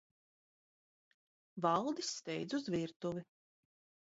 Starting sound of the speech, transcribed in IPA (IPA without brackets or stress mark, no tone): v